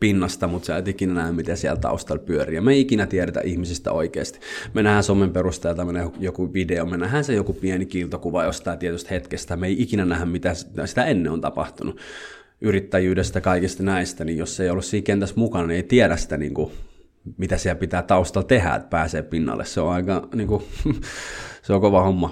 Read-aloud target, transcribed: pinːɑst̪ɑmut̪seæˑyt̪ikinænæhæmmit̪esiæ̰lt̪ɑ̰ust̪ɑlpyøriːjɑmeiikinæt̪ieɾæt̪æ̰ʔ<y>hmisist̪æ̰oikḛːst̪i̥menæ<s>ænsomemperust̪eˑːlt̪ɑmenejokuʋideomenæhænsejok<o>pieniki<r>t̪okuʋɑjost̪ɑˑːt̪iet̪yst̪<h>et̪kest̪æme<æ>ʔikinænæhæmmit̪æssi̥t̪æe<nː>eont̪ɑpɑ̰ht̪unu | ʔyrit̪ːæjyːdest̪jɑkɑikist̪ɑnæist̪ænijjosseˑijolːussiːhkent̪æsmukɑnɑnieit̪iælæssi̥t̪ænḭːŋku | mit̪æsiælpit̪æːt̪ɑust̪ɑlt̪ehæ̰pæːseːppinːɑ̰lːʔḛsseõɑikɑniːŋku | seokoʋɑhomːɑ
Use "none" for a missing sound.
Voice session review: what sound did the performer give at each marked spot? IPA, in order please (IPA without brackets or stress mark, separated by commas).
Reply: i, h, u, l, h, i, nː